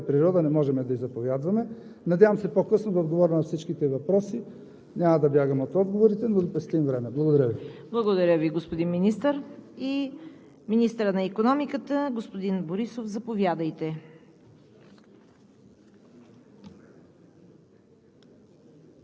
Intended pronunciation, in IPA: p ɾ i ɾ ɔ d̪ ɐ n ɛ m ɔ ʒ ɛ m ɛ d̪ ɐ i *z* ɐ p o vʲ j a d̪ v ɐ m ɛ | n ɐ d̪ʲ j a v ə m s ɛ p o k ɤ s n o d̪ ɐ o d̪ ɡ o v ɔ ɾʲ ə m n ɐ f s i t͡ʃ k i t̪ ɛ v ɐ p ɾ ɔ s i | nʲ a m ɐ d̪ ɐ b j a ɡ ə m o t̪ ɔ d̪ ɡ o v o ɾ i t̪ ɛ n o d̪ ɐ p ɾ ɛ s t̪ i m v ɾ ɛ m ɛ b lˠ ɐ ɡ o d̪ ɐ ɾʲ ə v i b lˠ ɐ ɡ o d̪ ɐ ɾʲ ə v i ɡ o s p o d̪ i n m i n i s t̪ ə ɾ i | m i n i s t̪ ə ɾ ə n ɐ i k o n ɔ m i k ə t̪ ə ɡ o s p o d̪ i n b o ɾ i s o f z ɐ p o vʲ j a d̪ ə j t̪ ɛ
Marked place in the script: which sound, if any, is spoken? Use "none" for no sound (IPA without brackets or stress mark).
z